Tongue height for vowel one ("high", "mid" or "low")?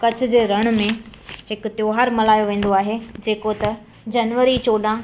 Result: low